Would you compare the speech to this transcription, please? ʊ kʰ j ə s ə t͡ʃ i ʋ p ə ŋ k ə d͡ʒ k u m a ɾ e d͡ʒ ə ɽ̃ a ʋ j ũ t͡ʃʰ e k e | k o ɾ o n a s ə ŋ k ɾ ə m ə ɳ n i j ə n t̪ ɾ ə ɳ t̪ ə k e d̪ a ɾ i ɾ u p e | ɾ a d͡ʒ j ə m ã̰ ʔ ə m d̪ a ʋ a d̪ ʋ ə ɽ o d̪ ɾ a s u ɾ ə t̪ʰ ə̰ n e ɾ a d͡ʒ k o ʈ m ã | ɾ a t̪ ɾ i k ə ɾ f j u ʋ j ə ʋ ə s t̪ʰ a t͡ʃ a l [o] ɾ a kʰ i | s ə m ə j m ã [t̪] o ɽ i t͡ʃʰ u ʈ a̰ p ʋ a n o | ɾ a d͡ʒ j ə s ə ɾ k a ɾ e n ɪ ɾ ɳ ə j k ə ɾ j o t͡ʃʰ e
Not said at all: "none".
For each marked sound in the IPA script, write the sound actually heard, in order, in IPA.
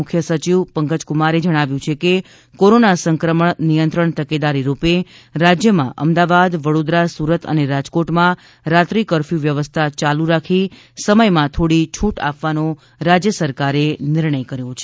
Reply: u, t̪ʰ

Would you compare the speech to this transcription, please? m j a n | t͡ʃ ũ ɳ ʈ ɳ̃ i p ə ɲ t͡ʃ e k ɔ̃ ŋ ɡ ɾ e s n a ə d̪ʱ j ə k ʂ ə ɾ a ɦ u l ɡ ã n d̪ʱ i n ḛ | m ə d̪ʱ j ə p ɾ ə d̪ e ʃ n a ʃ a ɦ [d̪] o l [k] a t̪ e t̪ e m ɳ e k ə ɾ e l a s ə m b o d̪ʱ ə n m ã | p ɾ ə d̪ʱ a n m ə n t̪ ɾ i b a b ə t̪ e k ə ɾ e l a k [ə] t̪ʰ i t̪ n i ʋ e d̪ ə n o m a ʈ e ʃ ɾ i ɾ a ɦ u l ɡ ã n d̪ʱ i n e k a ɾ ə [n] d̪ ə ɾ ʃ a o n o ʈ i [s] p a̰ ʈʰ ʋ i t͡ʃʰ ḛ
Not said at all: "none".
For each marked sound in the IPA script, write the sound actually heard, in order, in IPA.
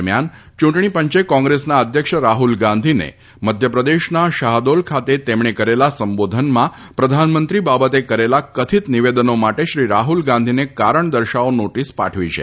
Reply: d̪, kʰ, ə, ɳ, s

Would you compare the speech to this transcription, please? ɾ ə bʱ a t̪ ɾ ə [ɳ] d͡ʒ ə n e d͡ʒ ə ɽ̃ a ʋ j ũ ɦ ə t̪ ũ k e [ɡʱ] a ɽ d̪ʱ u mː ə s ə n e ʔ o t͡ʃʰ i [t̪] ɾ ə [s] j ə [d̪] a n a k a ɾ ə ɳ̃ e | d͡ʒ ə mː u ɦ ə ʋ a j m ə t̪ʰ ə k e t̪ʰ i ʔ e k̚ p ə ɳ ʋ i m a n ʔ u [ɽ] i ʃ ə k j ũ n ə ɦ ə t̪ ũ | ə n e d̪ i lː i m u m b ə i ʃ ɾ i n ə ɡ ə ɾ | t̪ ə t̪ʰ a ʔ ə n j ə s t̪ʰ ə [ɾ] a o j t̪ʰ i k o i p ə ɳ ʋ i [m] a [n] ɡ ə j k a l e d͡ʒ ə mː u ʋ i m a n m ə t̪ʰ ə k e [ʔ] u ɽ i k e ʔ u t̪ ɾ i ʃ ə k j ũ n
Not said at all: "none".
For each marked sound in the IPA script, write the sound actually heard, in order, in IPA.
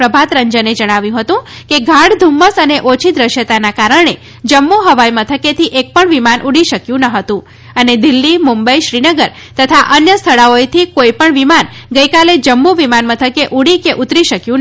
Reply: ɲ, ɡʱ, d̪, ʃ, t̪, ɽ, ɭ, m, n, ʔ

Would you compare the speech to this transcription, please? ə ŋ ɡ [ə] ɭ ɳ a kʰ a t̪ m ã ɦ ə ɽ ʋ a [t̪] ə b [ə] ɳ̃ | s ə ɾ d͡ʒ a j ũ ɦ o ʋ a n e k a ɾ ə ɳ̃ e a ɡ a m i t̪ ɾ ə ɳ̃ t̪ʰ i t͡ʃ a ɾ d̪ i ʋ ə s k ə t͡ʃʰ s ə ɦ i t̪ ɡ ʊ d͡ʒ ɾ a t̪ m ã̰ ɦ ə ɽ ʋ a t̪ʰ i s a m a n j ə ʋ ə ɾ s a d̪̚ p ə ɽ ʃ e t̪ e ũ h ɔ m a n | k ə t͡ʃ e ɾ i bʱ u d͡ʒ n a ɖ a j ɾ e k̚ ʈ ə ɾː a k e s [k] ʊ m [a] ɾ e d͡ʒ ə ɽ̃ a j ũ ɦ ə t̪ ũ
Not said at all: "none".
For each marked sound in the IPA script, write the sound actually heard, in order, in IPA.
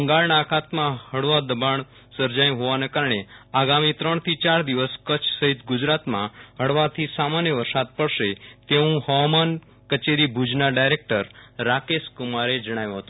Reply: a, d̪, a, k, a

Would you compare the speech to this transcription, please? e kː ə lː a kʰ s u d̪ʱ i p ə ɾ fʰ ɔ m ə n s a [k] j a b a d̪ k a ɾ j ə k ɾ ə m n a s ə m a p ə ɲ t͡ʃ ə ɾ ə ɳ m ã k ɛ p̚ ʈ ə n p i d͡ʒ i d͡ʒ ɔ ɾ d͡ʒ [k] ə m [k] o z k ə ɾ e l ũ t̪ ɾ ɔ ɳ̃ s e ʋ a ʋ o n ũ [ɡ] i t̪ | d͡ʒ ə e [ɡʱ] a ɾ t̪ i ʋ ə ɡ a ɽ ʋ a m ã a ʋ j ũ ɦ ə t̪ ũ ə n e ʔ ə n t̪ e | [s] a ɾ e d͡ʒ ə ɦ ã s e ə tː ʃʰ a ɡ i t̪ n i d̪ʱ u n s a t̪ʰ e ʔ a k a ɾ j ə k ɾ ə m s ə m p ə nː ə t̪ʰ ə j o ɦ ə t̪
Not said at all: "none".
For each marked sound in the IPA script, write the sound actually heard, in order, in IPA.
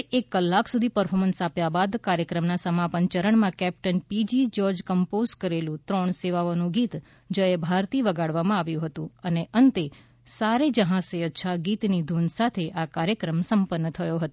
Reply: p, k, p, ɡ, bʱ, s

